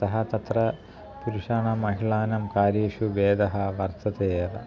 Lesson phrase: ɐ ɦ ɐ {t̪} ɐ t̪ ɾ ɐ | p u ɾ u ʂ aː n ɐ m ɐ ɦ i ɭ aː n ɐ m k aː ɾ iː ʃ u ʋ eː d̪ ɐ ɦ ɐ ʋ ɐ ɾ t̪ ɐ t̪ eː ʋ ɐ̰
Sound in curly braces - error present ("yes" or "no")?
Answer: no